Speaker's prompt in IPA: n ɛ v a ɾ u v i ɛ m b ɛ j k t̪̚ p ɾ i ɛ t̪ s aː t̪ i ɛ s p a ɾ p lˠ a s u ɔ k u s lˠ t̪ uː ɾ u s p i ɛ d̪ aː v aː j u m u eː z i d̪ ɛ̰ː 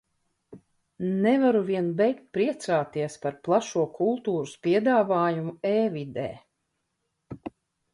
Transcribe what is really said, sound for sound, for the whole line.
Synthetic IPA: n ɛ v a ɾ u v i ɛ n b ɛ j k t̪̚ p ɾ i ɛ t̪ s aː t̪ i ɛ s p a ɾ p lˠ a ʃ u ɔ k u lˠ t̪ uː ɾ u s p i ɛ d̪ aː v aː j u m u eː v i d̪ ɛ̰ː